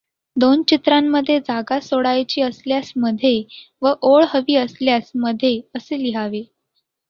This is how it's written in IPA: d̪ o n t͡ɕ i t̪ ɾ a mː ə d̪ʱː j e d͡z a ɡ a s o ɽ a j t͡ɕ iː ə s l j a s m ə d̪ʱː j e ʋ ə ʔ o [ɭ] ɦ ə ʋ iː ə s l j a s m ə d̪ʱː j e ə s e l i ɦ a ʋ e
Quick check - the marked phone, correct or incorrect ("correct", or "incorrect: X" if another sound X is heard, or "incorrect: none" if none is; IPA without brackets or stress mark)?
correct